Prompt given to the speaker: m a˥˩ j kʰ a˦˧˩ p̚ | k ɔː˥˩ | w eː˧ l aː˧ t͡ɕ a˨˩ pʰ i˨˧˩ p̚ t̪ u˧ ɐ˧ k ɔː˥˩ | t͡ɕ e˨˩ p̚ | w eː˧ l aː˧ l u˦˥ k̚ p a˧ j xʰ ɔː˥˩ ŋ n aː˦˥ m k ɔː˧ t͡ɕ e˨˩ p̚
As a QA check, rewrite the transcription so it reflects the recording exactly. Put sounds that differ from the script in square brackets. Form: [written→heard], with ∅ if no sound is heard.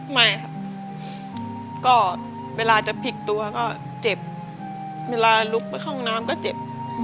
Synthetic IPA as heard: m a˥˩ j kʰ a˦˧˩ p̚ | k ɔː˥˩ | w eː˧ l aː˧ t͡ɕ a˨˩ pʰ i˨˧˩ [p̚→k̚] t̪ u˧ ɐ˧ k ɔː˥˩ | t͡ɕ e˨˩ p̚ | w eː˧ l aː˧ l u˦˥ k̚ p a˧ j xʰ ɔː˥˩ ŋ n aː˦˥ m k [ɔː˧→ɔː˥˩] t͡ɕ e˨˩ p̚